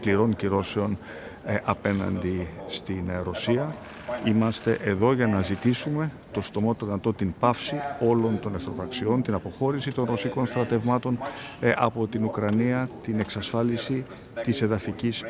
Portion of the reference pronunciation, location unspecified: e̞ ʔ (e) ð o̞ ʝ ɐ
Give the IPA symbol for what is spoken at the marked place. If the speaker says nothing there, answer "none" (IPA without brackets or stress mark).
e